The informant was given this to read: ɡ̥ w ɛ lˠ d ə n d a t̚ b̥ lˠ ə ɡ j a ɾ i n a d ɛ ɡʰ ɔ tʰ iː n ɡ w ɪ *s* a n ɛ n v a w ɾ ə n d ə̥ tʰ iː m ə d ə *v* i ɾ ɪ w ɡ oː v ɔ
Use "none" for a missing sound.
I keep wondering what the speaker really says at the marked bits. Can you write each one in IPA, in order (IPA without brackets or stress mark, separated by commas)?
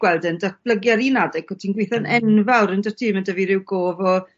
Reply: θ, v